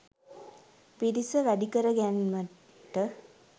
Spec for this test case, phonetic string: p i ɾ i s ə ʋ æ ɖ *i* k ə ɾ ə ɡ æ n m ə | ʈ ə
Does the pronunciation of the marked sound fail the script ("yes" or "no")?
no